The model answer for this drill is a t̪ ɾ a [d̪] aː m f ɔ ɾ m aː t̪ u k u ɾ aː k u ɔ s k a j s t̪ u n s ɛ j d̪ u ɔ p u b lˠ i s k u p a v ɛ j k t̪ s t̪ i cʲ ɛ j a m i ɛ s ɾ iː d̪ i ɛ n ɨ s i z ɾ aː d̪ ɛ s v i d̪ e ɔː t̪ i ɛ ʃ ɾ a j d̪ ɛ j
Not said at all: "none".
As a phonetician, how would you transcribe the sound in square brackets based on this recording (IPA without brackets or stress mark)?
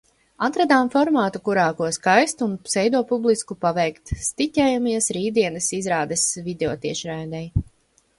d̪